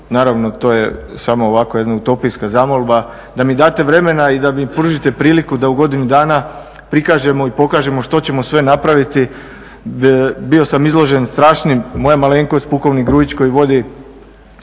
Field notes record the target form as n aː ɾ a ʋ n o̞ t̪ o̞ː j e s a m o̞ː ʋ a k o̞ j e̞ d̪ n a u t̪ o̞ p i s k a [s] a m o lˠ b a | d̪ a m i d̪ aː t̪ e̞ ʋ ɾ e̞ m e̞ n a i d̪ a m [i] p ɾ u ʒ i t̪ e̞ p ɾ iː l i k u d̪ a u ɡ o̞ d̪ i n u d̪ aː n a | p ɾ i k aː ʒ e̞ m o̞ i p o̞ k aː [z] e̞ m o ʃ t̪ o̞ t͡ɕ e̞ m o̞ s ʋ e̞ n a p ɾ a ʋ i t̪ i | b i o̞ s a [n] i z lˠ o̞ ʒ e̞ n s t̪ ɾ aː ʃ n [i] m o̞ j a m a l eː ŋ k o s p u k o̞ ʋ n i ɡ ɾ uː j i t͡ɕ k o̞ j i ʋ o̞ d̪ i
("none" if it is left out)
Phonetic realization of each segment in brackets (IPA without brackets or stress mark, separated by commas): z, i, ʒ, m, i